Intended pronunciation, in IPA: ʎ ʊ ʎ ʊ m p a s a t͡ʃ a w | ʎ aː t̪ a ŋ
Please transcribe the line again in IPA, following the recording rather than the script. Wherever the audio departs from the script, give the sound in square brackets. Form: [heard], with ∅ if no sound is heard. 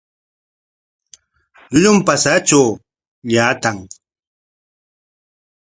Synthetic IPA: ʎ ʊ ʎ ʊ m p a s a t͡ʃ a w | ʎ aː t̪ a ŋ